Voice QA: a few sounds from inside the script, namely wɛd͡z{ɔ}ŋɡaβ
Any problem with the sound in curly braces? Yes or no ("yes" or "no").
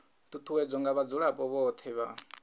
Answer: no